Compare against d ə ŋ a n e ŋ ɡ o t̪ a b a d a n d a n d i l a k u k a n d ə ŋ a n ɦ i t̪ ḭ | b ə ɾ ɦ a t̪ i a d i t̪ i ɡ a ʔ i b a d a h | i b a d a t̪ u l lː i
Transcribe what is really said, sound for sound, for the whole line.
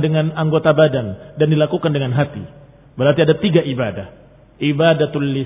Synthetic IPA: d ə ŋ a n a ŋ ɡ o t̪ a b a d a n d a n d i l a k u k a n d ə ŋ a n ɦ a t̪ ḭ | b ə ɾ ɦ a t̪ i a d a t̪ i ɡ a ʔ i b a d a h | i b a d a t̪ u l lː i